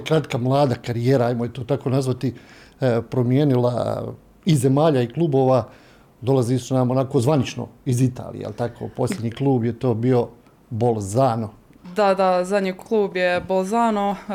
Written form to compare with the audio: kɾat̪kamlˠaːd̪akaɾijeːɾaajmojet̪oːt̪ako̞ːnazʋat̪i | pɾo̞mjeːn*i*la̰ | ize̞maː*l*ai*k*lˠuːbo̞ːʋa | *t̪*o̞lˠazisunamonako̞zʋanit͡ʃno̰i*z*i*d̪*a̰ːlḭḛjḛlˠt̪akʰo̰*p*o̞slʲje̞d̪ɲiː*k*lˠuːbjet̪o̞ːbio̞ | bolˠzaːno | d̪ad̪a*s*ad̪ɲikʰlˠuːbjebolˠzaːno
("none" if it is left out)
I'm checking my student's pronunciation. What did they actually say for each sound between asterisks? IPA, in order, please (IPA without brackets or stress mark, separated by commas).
i, ʎ, k, d̪, z, t̪, p, k, z